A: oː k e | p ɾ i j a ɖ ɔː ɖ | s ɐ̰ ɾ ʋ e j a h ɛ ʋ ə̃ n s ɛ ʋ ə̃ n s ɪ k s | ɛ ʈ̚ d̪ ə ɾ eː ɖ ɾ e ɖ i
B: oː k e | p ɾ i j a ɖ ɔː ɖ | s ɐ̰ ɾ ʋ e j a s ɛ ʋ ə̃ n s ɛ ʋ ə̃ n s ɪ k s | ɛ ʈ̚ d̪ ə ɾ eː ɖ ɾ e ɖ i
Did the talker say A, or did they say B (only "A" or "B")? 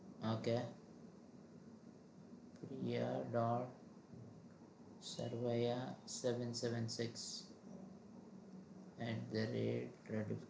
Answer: B